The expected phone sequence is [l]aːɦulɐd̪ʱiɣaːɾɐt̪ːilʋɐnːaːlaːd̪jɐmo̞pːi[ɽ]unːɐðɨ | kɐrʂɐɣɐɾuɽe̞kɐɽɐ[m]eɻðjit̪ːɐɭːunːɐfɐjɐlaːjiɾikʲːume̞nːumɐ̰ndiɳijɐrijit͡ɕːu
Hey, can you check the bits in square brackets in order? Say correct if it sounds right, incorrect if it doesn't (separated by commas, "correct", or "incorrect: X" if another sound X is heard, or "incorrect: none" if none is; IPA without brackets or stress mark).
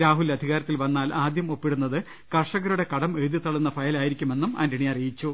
incorrect: ɾ, correct, correct